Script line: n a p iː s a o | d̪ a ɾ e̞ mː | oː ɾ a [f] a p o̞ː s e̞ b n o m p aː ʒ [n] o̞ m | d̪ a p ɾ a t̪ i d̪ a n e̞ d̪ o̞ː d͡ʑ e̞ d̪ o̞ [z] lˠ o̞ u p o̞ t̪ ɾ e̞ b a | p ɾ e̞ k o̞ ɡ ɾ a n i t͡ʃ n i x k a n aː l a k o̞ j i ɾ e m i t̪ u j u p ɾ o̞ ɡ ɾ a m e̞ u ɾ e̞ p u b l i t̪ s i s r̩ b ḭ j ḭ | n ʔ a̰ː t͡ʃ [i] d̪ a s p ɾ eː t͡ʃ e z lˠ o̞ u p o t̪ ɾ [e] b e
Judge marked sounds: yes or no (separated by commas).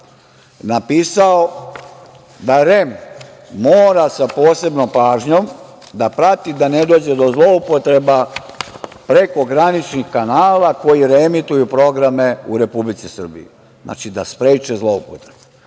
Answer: no, no, yes, yes, yes